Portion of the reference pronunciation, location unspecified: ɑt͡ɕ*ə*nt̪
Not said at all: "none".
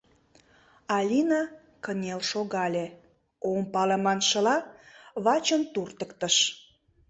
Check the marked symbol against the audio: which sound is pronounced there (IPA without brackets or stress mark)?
ə